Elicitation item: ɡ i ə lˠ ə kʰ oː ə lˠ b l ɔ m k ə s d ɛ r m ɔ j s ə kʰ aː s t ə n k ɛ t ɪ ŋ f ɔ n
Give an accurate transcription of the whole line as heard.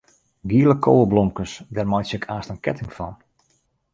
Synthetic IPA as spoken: ɡ i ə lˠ ə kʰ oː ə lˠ b l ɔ m k ə s d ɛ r m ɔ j s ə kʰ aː s t ə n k ɛ t ɪ ŋ f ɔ n